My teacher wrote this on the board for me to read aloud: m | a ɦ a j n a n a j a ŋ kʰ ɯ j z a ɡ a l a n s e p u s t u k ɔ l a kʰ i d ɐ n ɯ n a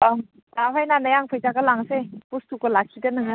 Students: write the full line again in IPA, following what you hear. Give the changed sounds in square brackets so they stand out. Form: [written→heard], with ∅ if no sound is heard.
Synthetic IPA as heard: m | a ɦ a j n a n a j a ŋ [kʰ→pʰ] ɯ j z a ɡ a l a [n→ŋ] s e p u s t u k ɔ l a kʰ i d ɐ n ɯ [n→ŋ] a